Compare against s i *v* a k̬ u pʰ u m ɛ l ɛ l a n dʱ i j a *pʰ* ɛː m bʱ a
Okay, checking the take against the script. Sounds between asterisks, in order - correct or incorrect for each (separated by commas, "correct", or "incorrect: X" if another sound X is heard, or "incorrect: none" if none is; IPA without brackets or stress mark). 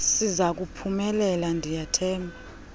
incorrect: z, incorrect: tʰ